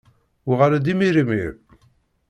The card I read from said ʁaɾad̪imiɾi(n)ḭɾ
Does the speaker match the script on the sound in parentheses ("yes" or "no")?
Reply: no